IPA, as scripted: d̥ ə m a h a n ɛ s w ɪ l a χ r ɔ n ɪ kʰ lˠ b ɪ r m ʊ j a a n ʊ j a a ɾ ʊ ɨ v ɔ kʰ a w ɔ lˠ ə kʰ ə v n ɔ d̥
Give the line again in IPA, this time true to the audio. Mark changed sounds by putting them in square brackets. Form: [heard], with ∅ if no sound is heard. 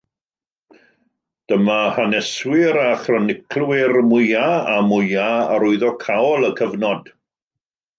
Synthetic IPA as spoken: d̥ ə m a h a n ɛ s w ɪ [ɾ] a χ r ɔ n ɪ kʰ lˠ [w] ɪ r m ʊ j a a [m] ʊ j a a ɾ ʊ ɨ [ð] ɔ kʰ a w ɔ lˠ ə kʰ ə v n ɔ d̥

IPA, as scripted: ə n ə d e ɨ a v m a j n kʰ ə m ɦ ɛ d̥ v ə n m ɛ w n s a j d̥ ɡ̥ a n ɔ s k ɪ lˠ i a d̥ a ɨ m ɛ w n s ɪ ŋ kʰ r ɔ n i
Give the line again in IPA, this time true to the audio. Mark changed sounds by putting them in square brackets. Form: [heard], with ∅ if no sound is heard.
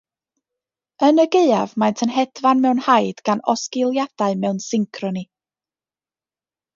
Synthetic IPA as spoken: ə n ə [ɡ] e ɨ a v m a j n [tʰ] ə [n] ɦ ɛ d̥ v [a] n m ɛ w n [h] a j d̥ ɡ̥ a n ɔ s k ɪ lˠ [j] a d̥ a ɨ m ɛ w n s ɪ ŋ kʰ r ɔ n i

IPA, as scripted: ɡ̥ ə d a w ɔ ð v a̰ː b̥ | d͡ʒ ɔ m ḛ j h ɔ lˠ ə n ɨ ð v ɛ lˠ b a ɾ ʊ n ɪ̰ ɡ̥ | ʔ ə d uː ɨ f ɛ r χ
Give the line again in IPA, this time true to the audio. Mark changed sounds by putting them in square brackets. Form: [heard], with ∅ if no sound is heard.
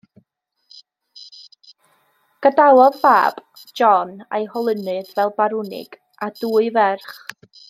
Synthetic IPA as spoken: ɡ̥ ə d a w ɔ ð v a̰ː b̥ | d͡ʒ ɔ [n] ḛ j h ɔ lˠ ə n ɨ ð v ɛ lˠ b a ɾ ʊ n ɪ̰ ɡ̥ | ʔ [a] d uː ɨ [v] ɛ r χ

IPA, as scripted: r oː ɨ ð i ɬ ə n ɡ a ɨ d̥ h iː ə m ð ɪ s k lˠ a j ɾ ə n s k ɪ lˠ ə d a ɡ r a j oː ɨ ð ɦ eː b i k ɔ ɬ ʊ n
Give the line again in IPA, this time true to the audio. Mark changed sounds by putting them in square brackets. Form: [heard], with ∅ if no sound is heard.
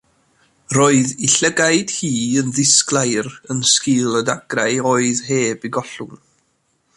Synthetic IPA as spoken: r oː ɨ ð i ɬ ə [∅] ɡ a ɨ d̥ h iː ə [n] ð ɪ s k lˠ a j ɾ ə n s k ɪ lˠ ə d a ɡ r a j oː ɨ ð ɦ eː b i [ɡ] ɔ ɬ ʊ n

